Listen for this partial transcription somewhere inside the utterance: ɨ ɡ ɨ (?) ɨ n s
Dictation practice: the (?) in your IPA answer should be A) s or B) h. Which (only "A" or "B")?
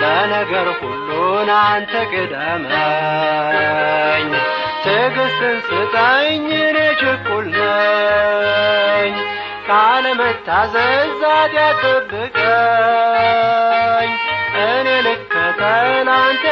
A